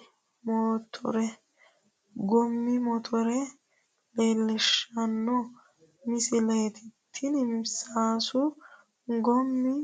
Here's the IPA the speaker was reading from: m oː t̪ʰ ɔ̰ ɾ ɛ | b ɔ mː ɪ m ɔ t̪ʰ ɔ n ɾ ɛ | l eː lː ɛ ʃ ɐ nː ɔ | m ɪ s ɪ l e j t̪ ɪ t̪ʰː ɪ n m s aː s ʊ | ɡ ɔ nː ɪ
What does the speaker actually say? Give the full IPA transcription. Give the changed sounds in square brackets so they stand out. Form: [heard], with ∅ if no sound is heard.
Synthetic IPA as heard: m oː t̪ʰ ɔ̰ ɾ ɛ | [ɡ] ɔ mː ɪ m ɔ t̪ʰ ɔ [∅] ɾ ɛ | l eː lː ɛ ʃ ɐ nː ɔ | m ɪ s ɪ l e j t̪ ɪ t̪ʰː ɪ n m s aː s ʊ | ɡ ɔ [mː] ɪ

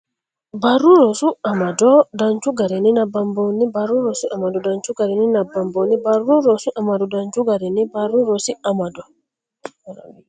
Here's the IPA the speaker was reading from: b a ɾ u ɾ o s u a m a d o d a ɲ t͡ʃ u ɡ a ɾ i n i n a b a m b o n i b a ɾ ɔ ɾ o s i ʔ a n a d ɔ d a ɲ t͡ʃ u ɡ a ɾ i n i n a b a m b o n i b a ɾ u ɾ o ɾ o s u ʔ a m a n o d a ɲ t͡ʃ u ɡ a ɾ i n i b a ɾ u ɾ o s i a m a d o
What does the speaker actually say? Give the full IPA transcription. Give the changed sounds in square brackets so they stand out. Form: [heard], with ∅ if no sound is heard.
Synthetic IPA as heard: b a ɾ u ɾ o s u a m a d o d a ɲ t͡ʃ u ɡ a ɾ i n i n a b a m b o n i b a ɾ [u] ɾ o s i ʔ a [m] a d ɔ d a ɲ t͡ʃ u ɡ a ɾ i n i n a b a m b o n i b a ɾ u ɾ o ɾ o s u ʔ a m a [d] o d a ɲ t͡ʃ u ɡ a ɾ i n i b a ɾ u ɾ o s i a m a d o

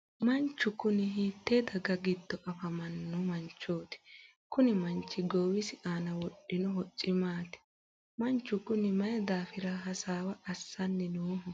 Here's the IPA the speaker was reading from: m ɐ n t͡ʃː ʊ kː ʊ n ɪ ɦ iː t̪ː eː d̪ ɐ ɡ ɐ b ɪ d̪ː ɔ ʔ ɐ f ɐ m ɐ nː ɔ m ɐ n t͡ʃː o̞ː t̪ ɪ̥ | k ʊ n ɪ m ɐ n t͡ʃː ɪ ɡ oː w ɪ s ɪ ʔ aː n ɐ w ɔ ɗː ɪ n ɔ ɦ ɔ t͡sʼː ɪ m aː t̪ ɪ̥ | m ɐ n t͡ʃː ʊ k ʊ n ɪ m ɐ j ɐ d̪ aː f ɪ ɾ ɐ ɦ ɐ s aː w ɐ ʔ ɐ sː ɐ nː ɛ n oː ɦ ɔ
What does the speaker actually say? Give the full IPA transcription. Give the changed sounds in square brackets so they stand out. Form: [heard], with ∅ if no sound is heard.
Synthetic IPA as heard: m ɐ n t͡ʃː ʊ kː ʊ n ɪ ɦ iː t̪ː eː d̪ ɐ ɡ ɐ [ɡ] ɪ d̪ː ɔ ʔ ɐ f ɐ m ɐ nː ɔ m ɐ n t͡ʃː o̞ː t̪ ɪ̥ | k ʊ n ɪ m ɐ n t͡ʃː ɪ ɡ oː w ɪ s ɪ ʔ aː n ɐ w ɔ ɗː ɪ n ɔ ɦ ɔ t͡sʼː ɪ m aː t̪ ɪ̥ | m ɐ n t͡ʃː ʊ k ʊ n ɪ m ɐ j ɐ d̪ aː f ɪ ɾ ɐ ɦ ɐ s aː w ɐ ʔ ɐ sː ɐ nː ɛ n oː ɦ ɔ

